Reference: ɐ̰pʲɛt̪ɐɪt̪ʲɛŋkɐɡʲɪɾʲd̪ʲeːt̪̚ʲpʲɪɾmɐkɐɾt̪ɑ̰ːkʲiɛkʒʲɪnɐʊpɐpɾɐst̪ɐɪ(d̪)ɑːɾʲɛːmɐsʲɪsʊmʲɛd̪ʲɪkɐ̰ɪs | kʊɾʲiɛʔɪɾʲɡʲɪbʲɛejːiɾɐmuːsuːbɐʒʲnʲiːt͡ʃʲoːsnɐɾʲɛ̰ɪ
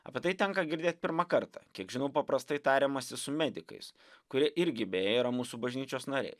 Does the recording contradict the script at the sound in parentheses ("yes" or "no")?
yes